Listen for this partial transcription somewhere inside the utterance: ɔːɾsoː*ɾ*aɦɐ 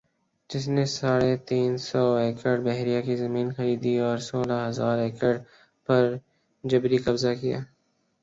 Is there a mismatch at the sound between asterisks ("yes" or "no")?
yes